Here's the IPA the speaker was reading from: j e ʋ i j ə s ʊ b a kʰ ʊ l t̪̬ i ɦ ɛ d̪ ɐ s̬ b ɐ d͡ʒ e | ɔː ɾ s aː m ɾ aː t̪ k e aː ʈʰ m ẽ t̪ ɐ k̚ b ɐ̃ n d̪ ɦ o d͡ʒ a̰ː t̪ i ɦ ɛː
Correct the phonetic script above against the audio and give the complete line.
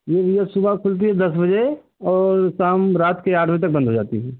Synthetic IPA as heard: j e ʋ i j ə s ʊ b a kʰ ʊ l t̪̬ i ɦ ɛ d̪ ɐ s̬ b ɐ d͡ʒ e | ɔː ɾ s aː m ɾ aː t̪ k e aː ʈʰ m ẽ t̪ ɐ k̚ b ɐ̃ n d̪ ɦ o d͡ʒ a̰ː t̪ i ɦ ɛː